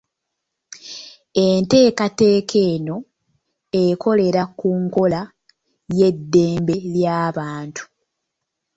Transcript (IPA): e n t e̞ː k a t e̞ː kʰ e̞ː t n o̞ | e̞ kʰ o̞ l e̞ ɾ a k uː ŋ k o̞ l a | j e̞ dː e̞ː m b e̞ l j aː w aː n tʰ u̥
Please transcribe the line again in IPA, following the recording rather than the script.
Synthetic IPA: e n t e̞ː k a t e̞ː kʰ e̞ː n o̞ | e̞ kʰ o̞ l e̞ ɾ a k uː ŋ k o̞ l a | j e̞ dː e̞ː m b e̞ l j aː β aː n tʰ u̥